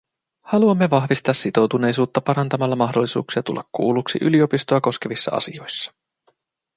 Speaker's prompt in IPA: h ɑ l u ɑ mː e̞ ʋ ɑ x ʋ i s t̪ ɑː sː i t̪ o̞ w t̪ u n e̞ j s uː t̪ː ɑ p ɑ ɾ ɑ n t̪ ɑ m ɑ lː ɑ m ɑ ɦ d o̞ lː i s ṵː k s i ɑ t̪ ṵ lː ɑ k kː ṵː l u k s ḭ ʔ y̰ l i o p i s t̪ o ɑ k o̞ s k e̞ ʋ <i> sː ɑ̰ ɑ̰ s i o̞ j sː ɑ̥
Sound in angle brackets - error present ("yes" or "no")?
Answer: no